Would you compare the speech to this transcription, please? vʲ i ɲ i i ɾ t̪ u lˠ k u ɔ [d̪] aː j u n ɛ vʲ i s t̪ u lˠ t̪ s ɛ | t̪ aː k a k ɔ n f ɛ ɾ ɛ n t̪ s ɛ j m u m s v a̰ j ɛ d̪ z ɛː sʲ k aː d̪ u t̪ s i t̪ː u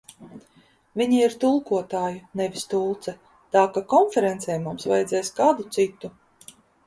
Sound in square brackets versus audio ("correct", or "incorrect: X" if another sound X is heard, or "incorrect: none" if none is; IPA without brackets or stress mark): incorrect: t̪